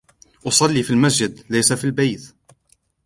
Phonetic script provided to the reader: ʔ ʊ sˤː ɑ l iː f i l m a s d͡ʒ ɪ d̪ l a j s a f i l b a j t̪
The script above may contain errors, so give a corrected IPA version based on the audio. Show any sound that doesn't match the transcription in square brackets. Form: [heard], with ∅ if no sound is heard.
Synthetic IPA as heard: ʔ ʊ [sˤ] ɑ [lː] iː f i l m a s d͡ʒ ɪ d̪ l a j s a f i l b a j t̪